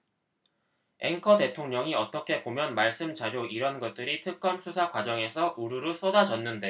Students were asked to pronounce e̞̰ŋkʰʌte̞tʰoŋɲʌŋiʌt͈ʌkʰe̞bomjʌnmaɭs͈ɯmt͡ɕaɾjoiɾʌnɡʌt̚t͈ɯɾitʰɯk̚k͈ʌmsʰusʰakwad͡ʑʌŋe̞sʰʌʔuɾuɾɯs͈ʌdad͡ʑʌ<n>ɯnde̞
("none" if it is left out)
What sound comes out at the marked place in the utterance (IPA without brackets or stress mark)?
nː